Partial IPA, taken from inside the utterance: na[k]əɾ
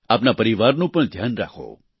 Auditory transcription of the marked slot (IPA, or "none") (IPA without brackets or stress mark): p